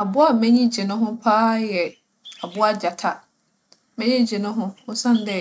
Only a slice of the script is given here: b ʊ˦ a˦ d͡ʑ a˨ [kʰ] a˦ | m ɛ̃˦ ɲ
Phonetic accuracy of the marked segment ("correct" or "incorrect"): incorrect